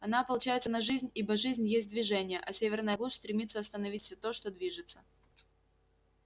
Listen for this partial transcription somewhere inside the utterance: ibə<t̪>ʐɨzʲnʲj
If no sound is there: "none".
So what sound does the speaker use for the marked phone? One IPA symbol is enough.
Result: none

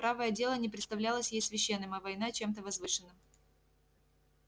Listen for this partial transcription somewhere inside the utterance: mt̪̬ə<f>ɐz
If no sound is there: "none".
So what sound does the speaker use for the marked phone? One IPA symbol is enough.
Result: v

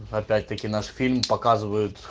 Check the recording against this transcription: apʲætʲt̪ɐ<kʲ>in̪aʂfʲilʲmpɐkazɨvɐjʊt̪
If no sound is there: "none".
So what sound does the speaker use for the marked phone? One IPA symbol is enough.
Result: kʲ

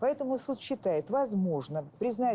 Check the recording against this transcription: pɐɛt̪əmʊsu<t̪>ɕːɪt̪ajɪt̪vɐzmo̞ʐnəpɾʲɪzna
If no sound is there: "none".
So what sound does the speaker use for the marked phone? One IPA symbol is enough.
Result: t̪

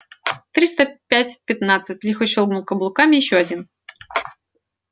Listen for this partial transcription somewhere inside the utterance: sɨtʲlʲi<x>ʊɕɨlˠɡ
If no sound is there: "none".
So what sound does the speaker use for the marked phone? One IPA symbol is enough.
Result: x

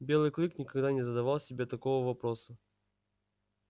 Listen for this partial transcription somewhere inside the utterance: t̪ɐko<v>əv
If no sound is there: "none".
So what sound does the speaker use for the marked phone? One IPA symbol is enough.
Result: v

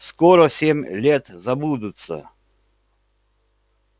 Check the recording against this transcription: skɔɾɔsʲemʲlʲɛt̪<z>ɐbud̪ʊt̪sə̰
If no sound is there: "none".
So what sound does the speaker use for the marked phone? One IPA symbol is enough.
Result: z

